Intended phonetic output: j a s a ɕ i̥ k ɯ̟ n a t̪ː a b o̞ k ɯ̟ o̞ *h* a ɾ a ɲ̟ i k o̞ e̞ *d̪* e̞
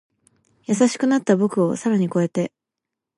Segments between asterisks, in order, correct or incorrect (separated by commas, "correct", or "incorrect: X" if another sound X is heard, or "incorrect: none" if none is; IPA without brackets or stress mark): incorrect: s, incorrect: t̪